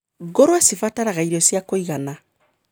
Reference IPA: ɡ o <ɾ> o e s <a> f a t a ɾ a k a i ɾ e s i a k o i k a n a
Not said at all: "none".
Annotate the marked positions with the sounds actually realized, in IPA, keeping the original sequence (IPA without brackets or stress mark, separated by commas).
ɾ, i